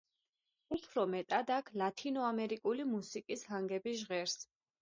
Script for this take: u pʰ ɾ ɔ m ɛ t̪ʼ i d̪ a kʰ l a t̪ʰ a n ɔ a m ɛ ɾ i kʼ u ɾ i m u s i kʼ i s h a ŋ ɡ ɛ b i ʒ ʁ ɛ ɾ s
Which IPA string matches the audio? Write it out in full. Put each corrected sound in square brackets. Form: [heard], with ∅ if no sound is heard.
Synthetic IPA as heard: u pʰ ɾ ɔ m ɛ t̪ʼ [a] d̪ a kʰ l a t̪ʰ [i] n ɔ a m ɛ ɾ i kʼ u [l] i m u s i kʼ i s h a ŋ ɡ ɛ b i ʒ ʁ ɛ ɾ s